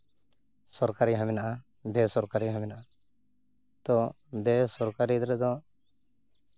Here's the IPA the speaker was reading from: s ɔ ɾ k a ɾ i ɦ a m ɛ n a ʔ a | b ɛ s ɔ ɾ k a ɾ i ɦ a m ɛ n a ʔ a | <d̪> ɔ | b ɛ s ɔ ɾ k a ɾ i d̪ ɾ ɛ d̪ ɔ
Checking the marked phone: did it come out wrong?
yes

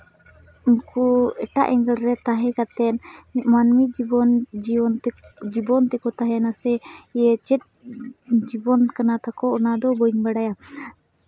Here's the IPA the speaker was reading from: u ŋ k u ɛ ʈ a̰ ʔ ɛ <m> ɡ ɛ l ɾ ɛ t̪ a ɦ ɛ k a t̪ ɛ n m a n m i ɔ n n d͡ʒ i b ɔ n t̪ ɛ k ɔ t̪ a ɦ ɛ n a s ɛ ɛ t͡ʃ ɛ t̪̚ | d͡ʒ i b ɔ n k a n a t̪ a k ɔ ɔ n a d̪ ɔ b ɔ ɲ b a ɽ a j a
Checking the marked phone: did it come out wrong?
yes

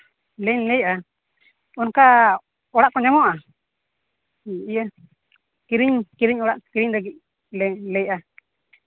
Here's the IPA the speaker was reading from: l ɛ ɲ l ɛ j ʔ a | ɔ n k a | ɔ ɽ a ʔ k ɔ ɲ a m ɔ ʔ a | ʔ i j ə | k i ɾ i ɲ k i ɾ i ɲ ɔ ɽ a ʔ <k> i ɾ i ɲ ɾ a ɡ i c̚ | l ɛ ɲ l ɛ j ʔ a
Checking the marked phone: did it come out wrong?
no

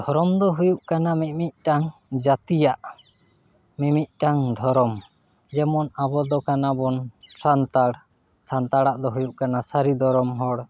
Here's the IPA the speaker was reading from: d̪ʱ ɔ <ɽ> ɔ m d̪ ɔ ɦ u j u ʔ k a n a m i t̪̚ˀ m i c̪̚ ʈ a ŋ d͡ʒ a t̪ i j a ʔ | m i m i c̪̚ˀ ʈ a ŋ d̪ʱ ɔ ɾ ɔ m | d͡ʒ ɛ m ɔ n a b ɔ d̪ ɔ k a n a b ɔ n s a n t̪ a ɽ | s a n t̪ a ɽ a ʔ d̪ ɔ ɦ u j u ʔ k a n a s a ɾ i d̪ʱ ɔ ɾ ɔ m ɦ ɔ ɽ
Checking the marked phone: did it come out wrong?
yes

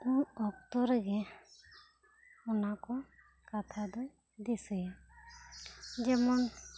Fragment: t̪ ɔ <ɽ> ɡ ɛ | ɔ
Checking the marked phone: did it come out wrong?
yes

